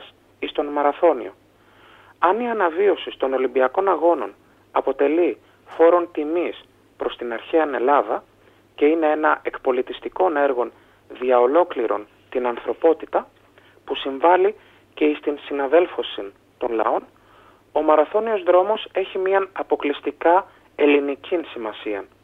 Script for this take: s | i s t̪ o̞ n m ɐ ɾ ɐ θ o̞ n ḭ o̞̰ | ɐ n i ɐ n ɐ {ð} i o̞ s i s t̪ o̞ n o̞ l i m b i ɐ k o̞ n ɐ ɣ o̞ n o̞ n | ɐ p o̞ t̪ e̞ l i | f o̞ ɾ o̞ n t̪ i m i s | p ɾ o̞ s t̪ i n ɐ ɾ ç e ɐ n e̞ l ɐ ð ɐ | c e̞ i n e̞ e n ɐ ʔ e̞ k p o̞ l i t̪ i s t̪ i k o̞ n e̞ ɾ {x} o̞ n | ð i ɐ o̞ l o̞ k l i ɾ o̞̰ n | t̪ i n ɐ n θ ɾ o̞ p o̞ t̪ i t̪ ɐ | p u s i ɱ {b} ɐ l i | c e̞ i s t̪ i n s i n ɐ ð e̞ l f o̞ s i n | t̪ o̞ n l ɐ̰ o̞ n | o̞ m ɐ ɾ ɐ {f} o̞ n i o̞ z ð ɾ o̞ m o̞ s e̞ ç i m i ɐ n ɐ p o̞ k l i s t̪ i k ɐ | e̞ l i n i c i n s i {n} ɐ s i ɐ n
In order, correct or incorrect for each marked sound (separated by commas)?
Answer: incorrect, incorrect, incorrect, incorrect, incorrect